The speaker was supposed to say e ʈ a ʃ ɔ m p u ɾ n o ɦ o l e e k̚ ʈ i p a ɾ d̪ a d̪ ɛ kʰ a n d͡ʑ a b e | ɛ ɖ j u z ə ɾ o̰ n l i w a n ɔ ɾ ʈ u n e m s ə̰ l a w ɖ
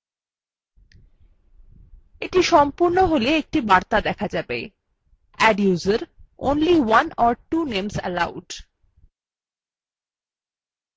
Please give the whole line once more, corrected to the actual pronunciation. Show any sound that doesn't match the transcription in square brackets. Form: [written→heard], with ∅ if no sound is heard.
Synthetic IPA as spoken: e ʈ [a→i] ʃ ɔ m p u ɾ n o ɦ o l e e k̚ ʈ i [p→b] a ɾ [d̪→t̪] a d̪ ɛ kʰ a [n→∅] d͡ʑ a b e | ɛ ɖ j u z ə ɾ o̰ n l i w a n ɔ ɾ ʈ u n e m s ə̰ l a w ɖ